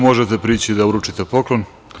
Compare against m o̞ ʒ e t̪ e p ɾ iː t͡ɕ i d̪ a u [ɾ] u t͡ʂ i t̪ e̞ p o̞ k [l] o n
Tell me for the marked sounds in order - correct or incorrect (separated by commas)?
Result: correct, correct